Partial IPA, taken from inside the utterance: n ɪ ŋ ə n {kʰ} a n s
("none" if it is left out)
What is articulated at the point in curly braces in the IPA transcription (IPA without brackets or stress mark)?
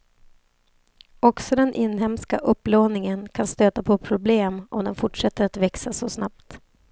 kʰ